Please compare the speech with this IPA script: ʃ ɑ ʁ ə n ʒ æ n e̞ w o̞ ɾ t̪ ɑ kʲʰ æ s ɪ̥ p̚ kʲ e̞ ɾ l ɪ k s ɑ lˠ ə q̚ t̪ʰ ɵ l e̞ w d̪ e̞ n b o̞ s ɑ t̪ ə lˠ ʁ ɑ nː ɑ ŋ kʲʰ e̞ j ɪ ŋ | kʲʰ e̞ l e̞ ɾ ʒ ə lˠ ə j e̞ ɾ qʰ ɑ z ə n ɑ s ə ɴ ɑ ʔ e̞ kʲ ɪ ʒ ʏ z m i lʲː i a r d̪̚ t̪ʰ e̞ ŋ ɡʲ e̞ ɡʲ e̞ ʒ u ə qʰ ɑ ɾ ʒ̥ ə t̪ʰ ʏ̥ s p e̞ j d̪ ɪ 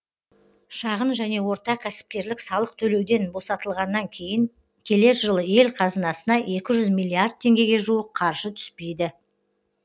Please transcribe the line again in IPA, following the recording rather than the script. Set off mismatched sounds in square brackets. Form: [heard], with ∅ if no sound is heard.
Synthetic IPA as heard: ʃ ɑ ʁ ə n ʒ æ n e̞ w o̞ ɾ t̪ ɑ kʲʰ æ s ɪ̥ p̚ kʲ e̞ ɾ l ɪ k s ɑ lˠ ə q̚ t̪ʰ ɵ l e̞ w d̪ e̞ n b o̞ s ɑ t̪ ə lˠ ʁ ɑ nː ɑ ŋ kʲʰ e̞ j ɪ ŋ | kʲʰ e̞ l e̞ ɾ ʒ ə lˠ ə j e̞ [l] qʰ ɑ z ə n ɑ s ə [n] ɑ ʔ e̞ kʲ ɪ ʒ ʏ z m i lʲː i a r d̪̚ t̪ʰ e̞ ŋ ɡʲ e̞ ɡʲ e̞ ʒ u ə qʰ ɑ ɾ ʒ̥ ə t̪ʰ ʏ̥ s p e̞ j d̪ ɪ